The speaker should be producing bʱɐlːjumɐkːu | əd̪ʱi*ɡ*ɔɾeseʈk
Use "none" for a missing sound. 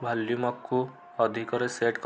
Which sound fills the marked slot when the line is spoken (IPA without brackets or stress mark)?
k